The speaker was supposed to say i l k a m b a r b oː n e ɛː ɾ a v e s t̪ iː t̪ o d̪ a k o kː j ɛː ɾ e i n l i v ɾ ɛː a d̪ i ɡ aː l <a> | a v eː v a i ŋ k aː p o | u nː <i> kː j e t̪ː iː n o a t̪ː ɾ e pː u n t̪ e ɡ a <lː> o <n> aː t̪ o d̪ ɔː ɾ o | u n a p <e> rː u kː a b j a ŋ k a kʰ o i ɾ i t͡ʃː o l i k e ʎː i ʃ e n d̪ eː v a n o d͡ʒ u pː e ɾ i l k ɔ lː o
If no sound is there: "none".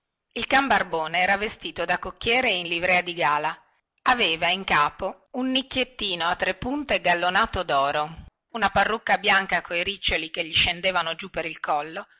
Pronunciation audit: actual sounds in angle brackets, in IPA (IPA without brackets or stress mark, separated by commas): a, i, lː, n, a